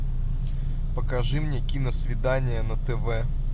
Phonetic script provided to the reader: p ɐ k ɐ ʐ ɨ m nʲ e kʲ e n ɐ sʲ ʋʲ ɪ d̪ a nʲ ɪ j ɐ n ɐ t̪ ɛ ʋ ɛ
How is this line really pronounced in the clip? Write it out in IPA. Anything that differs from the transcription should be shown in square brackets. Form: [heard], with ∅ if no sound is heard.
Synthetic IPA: p ɐ k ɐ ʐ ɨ m nʲ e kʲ [i] n ɐ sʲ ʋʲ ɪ d̪ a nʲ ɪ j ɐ n ɐ t̪ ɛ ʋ ɛ

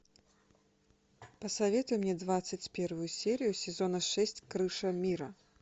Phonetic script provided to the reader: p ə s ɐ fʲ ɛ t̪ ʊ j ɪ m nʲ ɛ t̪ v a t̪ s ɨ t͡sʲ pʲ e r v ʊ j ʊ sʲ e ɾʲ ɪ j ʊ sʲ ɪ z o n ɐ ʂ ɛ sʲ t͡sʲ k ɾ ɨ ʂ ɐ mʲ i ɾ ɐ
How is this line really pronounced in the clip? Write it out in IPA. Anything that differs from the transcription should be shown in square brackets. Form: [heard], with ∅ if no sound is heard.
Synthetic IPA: p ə s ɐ [vʲ] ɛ t̪ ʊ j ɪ m nʲ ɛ [d̪] v a t̪ s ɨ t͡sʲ pʲ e r v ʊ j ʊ sʲ e ɾʲ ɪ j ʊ sʲ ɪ z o n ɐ ʂ ɛ sʲ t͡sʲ k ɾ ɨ ʂ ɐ mʲ i ɾ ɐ

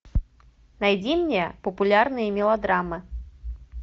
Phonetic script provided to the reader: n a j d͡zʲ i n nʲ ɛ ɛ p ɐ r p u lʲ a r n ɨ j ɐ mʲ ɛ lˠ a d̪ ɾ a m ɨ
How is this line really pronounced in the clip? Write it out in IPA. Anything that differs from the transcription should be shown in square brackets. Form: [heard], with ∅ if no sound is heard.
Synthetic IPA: n a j d͡zʲ i [m] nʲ ɛ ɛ p ɐ [∅] p u lʲ a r n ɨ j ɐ mʲ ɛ lˠ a d̪ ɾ a m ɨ

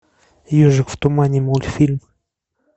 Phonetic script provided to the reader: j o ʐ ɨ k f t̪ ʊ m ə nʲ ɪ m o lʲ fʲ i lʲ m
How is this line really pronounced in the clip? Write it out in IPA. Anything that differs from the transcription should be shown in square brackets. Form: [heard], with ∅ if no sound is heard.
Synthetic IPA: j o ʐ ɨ k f t̪ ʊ m [a] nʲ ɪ m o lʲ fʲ i lʲ m

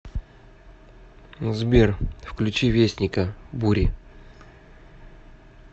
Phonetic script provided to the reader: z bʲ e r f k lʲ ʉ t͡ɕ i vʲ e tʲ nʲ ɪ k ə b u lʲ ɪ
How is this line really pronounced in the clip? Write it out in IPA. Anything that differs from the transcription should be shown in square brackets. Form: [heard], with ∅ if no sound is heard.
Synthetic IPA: z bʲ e r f k lʲ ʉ t͡ɕ i vʲ e [sʲ] nʲ ɪ k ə b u [ɾʲ] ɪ

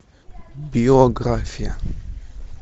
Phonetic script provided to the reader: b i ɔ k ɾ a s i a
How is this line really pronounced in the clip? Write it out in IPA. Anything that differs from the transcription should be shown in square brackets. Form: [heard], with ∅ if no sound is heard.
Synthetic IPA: b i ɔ [ɡ] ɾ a [f] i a

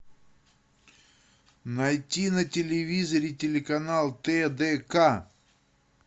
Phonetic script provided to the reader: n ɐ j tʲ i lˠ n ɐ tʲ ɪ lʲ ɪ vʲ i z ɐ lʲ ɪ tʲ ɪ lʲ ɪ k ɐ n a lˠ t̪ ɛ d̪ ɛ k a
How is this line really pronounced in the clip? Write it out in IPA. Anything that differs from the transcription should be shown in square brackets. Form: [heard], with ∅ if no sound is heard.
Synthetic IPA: n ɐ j tʲ i [∅] n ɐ tʲ ɪ lʲ ɪ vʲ i z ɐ [ɾʲ] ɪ tʲ ɪ lʲ ɪ k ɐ n a lˠ t̪ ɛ d̪ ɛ k a

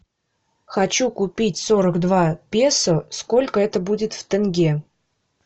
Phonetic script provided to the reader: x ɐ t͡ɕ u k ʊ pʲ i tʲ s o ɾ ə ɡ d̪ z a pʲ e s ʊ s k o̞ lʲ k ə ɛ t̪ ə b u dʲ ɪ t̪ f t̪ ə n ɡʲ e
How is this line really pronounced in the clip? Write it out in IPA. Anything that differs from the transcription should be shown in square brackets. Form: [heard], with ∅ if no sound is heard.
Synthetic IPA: x ɐ t͡ɕ u k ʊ pʲ i tʲ s o ɾ ə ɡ d̪ [v] a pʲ e s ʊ s k o̞ lʲ k ə ɛ t̪ ə b u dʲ ɪ t̪ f t̪ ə n ɡʲ e

